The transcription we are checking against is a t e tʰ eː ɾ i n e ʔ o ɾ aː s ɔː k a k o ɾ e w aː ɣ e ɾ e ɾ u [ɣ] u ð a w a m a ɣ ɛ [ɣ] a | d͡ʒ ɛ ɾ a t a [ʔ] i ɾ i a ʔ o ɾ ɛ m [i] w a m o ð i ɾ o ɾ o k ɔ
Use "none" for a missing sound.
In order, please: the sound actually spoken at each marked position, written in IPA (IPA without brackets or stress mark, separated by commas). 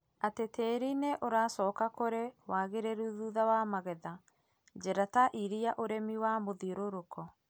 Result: ð, ð, ʔ, i